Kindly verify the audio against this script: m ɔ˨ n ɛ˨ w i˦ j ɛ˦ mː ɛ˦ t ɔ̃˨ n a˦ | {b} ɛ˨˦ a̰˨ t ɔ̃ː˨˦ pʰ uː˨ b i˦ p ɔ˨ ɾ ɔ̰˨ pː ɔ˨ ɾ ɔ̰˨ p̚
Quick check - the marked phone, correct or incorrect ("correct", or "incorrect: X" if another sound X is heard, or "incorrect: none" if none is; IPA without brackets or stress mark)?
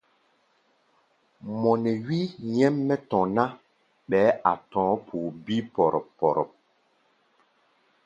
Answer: incorrect: ɓ